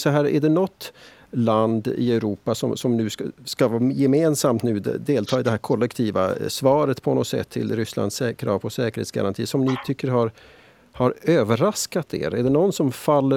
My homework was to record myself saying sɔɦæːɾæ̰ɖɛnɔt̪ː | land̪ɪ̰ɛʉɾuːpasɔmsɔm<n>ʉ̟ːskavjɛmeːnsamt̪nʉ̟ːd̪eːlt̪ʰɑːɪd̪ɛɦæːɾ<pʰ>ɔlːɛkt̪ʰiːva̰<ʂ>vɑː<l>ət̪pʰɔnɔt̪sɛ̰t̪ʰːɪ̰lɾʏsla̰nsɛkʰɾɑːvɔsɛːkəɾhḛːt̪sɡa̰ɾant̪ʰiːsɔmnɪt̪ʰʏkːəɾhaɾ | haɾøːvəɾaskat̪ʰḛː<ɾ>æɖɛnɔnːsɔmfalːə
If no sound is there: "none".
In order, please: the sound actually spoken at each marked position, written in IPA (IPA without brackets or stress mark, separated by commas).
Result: n, kʰ, s, ɾ, ɾ